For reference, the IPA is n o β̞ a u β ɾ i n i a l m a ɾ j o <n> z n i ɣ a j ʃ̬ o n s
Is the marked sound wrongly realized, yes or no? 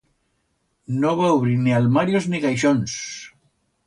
yes